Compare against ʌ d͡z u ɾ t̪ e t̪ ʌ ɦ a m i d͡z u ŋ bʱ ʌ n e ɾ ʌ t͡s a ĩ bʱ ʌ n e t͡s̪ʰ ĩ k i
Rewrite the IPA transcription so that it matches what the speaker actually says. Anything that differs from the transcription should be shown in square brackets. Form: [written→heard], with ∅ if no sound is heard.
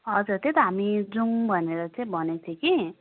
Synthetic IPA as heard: ʌ d͡z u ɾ t̪ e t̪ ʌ ɦ a m i d͡z u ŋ bʱ ʌ n e ɾ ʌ t͡s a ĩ bʱ ʌ n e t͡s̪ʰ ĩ k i

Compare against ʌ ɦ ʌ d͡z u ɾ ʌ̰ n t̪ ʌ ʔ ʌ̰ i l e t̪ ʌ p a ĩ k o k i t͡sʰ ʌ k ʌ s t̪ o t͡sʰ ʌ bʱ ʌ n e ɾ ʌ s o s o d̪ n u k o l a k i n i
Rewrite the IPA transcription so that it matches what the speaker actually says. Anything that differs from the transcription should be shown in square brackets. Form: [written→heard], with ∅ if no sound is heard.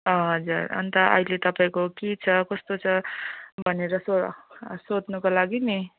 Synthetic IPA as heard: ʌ ɦ ʌ d͡z u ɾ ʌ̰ n t̪ ʌ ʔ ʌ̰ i l e t̪ ʌ p a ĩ k o k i t͡sʰ ʌ k ʌ s t̪ o t͡sʰ ʌ bʱ ʌ n e ɾ ʌ s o s o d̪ n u k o l a [k→ɡ] i n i

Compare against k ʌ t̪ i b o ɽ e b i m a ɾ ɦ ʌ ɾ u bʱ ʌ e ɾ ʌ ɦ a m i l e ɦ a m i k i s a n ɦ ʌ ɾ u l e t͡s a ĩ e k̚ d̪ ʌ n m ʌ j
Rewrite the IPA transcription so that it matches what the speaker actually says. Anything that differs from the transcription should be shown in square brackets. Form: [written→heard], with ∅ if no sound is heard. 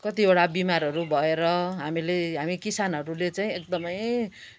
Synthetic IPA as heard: k ʌ t̪ i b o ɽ [e→a] b i m a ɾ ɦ ʌ ɾ u bʱ ʌ e ɾ ʌ ɦ a m i l e ɦ a m i k i s a n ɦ ʌ ɾ u l e t͡s a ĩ e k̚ d̪ ʌ [n→∅] m ʌ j

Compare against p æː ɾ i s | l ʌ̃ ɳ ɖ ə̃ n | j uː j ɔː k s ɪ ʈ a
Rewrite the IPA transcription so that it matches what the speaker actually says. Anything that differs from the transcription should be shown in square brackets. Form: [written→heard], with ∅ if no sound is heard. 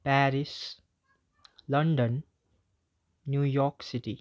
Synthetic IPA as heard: p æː ɾ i s | l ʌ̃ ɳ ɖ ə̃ n | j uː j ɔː k s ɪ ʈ [a→i]

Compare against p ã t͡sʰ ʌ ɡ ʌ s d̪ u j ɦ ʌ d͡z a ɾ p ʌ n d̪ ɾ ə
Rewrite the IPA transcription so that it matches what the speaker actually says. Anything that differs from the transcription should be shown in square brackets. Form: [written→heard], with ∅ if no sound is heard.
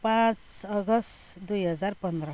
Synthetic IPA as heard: p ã [t͡sʰ→t͡s] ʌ ɡ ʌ s d̪ u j ɦ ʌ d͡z a ɾ p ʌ n d̪ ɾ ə

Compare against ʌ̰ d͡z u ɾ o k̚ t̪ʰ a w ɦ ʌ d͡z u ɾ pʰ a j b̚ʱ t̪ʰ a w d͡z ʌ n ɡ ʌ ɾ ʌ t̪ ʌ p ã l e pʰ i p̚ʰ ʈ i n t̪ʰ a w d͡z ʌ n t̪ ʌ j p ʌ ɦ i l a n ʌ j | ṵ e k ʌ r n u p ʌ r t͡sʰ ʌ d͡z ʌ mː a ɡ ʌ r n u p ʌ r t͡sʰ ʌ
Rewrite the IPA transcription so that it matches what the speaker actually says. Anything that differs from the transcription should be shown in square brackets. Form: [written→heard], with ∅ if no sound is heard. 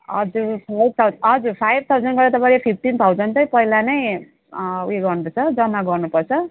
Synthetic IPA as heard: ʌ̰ d͡z u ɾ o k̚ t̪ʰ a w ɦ ʌ d͡z u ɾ pʰ a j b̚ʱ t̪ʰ a w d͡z ʌ n ɡ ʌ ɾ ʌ t̪ ʌ p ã l e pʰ i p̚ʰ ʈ i n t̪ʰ a w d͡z ʌ n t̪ ʌ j p ʌ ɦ i l a n ʌ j | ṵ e [k→ɡ] ʌ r n u p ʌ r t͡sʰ ʌ d͡z ʌ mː a ɡ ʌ r n u p ʌ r t͡sʰ ʌ

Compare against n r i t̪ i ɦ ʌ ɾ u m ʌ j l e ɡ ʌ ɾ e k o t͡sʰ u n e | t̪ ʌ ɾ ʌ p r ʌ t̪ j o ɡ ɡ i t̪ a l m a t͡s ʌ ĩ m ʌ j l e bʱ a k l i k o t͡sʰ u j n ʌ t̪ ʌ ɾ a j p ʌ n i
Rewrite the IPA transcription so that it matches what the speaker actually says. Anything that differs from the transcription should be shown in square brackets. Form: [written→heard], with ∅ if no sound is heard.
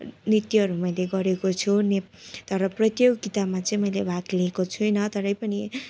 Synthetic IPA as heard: n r i t̪ i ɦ ʌ ɾ u m ʌ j l e ɡ ʌ ɾ e k o t͡sʰ u n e | t̪ ʌ ɾ ʌ p r ʌ t̪ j o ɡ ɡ i t̪ a [l→∅] m a t͡s ʌ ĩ m ʌ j l e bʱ a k l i k o t͡sʰ u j n ʌ t̪ ʌ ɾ [a→ʌ] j p ʌ n i

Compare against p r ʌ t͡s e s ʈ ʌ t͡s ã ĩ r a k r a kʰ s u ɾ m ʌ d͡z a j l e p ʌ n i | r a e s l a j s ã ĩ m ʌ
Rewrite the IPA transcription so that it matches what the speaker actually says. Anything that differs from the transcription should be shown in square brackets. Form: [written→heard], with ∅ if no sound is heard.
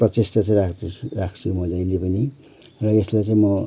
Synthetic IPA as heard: p r ʌ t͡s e s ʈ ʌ t͡s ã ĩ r a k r a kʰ s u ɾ m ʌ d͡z a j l e p ʌ n i | r [a→ʌ] e s l a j [s→t͡s] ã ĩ m ʌ

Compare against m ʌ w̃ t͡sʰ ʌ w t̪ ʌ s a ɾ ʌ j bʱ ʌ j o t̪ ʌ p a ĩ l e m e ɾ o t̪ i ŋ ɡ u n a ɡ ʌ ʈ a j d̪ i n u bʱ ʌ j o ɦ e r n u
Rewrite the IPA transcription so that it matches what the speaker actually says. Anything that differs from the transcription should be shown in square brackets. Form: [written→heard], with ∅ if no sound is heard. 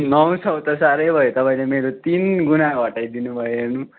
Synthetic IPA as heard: [m→n] ʌ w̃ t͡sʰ ʌ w t̪ ʌ s a ɾ ʌ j bʱ ʌ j o t̪ ʌ p a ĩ l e m e ɾ o t̪ i [ŋ→n] ɡ u n a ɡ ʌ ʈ a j d̪ i n u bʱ ʌ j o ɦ e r n u

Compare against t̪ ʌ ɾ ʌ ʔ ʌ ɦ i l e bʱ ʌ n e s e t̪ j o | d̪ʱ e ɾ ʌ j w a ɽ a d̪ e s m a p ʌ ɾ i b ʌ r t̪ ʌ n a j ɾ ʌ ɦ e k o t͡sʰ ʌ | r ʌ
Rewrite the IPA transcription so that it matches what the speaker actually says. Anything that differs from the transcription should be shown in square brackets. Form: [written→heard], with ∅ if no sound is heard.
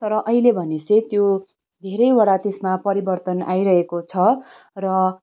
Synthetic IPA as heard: t̪ ʌ ɾ ʌ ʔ ʌ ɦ i l e bʱ ʌ n e s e t̪ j o | d̪ʱ e ɾ ʌ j w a ɽ a [d̪→t̪] e s m a p ʌ ɾ i b ʌ r t̪ ʌ n a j ɾ ʌ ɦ e k o t͡sʰ ʌ | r ʌ

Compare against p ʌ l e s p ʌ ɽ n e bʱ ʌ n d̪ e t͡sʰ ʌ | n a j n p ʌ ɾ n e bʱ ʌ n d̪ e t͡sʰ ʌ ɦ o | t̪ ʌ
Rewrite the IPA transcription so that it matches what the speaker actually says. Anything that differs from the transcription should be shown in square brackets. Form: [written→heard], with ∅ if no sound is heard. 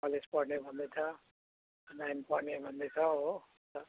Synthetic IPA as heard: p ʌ l e s p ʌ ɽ n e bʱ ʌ n d̪ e t͡sʰ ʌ | n a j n p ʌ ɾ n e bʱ ʌ n d̪ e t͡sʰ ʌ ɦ o | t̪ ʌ

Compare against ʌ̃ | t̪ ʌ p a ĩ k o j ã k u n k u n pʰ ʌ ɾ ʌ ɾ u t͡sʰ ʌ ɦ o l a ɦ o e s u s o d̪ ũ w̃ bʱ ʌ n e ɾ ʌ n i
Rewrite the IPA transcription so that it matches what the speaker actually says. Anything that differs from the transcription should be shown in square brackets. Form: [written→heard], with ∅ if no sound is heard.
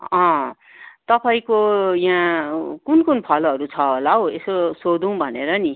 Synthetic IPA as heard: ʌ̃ | t̪ ʌ p a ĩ k o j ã k u n k u n pʰ ʌ [ɾ→l] ʌ ɾ u t͡sʰ ʌ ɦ o l a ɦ o e s [u→o] s o d̪ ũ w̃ bʱ ʌ n e ɾ ʌ n i

